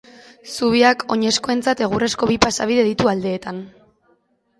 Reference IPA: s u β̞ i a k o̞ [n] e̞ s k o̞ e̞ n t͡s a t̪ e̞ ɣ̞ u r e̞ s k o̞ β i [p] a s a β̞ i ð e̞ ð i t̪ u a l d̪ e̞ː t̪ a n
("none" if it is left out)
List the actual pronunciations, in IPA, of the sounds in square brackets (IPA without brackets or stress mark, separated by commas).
ɲ, p